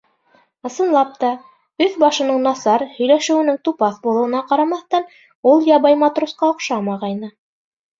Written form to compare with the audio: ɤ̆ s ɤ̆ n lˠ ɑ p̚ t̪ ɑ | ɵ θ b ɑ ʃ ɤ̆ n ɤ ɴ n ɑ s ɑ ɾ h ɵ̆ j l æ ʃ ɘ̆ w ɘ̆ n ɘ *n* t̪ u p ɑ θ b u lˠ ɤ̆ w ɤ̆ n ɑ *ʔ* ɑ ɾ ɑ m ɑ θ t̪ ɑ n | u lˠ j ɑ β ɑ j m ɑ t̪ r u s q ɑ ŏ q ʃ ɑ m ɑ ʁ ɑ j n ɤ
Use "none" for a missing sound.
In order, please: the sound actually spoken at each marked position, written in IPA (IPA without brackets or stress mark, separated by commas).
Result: ŋ, q